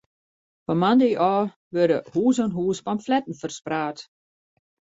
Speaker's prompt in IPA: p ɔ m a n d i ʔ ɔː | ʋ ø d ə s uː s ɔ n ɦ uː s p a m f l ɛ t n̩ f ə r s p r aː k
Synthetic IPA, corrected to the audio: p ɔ m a n d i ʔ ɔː | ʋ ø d ə h uː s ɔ n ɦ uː s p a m f l ɛ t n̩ f ə r s p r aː t